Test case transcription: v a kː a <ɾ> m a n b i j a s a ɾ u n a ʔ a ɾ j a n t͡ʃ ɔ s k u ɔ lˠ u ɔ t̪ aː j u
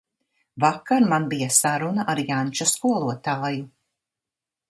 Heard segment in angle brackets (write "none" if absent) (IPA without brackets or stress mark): ɾ